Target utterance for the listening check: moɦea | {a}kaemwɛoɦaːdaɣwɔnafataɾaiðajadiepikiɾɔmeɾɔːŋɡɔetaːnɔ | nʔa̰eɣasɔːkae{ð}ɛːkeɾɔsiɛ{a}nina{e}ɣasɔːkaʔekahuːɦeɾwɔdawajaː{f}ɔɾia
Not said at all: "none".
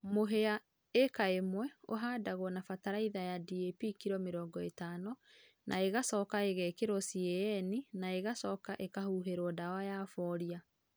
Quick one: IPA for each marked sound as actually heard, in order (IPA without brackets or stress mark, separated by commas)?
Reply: e, ɣ, ɛ, e, f